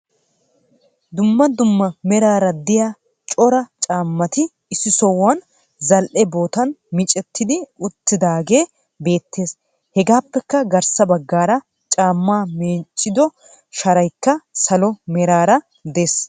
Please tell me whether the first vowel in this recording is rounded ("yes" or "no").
yes